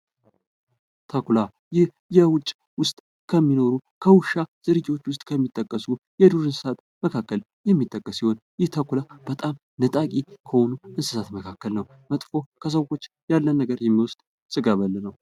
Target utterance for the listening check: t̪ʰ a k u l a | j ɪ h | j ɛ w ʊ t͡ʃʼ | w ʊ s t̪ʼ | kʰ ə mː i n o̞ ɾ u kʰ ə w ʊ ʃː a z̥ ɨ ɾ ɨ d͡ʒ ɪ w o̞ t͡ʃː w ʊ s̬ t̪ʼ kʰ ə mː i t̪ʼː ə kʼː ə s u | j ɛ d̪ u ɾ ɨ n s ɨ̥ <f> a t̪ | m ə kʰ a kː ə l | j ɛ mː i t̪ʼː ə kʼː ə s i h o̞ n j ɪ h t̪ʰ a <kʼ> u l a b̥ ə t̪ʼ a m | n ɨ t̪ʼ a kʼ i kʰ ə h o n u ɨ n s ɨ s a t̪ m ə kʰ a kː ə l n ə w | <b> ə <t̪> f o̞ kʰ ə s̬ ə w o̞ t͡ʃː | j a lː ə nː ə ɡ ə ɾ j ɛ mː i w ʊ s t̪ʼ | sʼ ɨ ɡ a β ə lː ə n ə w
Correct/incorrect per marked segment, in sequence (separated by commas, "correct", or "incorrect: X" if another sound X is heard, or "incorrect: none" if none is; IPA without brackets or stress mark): incorrect: s, incorrect: k, incorrect: m, incorrect: t̪ʼ